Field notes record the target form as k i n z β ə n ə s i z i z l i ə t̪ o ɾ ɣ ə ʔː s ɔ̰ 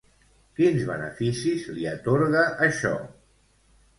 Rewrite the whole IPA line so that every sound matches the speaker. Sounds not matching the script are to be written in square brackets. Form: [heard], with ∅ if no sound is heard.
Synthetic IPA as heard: k i n z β ə n ə [f] i [s] i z l i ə t̪ o ɾ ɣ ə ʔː [ʃ] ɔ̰